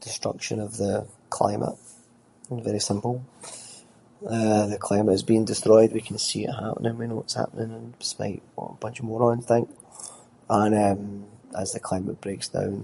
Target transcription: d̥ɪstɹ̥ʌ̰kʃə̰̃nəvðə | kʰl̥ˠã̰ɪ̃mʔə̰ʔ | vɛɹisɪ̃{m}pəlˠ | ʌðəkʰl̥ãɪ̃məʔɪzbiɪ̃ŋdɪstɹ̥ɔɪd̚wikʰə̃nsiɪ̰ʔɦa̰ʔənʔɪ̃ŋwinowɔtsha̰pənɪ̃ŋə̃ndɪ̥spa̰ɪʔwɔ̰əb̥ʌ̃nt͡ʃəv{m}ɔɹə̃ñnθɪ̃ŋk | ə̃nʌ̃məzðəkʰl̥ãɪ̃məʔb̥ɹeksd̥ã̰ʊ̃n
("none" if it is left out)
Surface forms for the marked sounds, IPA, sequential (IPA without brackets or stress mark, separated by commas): m, m